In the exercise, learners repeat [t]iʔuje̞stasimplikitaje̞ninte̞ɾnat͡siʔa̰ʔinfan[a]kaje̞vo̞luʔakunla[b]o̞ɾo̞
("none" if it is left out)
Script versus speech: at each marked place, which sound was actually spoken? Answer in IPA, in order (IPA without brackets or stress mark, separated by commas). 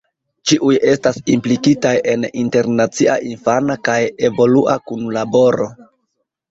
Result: t͡ʃ, a, b